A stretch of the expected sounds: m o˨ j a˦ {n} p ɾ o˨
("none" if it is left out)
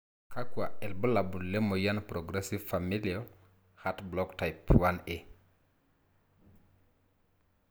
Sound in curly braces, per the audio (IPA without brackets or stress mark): n